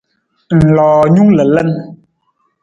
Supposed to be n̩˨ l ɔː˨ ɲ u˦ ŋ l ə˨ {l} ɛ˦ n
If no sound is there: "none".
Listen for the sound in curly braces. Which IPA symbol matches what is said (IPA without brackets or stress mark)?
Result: l